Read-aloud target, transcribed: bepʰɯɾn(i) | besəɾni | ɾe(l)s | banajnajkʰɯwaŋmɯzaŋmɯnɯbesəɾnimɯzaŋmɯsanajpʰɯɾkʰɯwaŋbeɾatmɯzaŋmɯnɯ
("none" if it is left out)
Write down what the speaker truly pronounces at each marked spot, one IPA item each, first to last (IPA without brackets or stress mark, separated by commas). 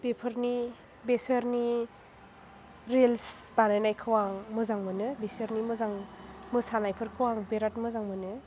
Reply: i, l